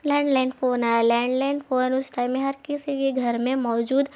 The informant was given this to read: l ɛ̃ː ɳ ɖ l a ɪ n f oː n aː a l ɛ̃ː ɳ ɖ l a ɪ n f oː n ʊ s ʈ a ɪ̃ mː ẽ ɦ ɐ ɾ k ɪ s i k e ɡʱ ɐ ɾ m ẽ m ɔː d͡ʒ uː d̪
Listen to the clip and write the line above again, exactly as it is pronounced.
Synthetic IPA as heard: l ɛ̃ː ɳ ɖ l a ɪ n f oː n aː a l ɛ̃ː ɳ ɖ l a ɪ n f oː n ʊ s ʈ a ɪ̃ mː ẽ ɦ ɐ ɾ k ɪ s i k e ɡʱ ɐ ɾ m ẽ m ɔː d͡ʒ uː d̪